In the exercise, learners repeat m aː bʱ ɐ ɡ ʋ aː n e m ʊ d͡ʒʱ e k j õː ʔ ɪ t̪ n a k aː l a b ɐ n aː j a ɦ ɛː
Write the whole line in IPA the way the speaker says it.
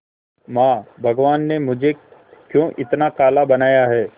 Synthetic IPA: m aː bʱ ɐ ɡ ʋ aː nː e m ʊ d͡ʒʱ e k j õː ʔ ɪ t̪ n a k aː l a b ɐ n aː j a ɦ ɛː